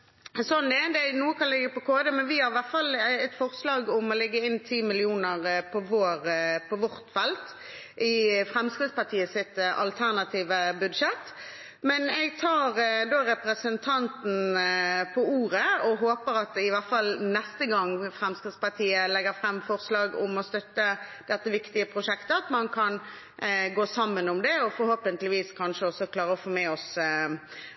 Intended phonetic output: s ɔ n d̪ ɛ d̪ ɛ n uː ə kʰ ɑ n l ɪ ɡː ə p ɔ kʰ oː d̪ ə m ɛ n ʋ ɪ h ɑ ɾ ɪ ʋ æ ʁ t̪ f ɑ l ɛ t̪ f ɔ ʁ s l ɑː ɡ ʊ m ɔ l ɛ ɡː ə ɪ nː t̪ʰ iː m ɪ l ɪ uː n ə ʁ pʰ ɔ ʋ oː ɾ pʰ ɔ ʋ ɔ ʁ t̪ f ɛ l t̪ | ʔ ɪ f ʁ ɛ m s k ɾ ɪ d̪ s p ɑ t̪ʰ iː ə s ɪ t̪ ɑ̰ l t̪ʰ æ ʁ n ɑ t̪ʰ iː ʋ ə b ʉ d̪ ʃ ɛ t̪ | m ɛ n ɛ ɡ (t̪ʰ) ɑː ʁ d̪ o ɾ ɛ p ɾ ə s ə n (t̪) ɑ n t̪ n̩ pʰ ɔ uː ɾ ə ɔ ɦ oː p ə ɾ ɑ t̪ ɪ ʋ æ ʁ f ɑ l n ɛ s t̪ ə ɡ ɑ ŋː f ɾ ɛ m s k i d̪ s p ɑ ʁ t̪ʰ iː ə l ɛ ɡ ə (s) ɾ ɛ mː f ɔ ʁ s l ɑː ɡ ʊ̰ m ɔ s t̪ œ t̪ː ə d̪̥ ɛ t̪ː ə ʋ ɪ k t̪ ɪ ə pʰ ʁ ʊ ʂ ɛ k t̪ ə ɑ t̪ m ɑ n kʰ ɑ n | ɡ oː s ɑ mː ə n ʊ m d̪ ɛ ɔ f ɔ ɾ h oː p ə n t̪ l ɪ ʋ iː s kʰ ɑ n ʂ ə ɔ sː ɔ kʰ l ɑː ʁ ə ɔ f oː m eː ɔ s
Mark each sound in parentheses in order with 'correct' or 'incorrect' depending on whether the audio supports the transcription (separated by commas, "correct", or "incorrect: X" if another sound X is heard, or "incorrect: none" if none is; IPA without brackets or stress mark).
correct, incorrect: t̪ʰ, incorrect: f